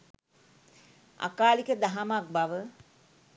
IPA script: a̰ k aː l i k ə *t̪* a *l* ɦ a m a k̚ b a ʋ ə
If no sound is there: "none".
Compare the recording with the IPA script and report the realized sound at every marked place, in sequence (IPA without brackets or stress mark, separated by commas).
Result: d̪, none